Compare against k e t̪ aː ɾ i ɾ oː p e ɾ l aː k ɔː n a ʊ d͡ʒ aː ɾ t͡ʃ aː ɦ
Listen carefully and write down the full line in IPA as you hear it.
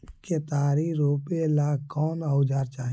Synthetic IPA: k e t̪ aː ɾ i ɾ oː p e l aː k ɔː n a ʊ d͡ʒ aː ɾ t͡ʃ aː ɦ